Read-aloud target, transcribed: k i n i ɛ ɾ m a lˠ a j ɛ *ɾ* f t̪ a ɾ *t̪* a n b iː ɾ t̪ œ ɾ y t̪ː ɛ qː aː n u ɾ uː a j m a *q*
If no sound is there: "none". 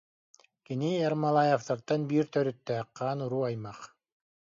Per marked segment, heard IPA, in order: none, t̪, q

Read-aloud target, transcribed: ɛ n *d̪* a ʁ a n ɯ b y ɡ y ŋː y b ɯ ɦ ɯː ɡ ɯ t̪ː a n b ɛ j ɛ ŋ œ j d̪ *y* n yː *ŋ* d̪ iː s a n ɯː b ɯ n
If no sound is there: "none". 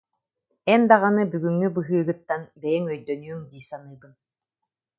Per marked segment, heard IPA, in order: d̪, œ, ŋ

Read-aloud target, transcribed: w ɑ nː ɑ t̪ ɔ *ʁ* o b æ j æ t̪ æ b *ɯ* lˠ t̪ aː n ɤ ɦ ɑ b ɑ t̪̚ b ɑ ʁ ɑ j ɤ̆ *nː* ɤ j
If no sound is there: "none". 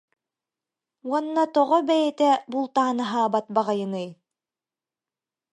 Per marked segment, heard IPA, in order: ʁ, u, n

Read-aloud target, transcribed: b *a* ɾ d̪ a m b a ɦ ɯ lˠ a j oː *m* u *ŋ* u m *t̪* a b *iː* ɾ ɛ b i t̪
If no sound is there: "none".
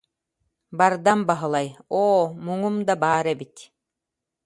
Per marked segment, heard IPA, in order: a, m, ŋ, d̪, aː

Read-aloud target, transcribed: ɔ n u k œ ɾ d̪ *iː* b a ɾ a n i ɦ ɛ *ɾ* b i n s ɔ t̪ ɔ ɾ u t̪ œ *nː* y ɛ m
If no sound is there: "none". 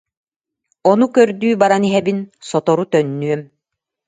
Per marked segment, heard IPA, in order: yː, none, nː

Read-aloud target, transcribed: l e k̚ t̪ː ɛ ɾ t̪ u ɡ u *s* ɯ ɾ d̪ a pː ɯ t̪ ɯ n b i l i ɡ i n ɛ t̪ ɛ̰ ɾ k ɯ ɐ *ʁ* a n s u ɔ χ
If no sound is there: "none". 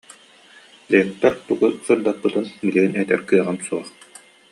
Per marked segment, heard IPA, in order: s, ʁ

